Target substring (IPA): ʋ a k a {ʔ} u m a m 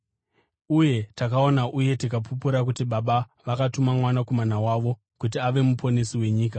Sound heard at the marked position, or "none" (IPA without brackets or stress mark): t